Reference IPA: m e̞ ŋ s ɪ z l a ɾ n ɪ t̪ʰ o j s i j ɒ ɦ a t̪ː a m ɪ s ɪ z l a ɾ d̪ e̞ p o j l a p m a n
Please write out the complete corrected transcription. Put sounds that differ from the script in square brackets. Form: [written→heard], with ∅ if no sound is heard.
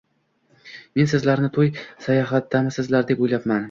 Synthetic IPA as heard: m e̞ [ŋ→n] s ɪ z l a ɾ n ɪ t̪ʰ o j s [i→a] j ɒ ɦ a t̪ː a m ɪ s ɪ z l a ɾ d̪ e̞ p o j l a p m a n